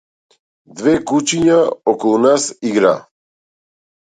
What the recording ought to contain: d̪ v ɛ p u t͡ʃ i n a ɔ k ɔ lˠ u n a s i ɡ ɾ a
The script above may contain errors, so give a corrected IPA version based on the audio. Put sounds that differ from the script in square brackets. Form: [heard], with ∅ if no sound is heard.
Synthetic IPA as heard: d̪ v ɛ [k] u t͡ʃ i [ɲ] a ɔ k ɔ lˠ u n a s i ɡ ɾ a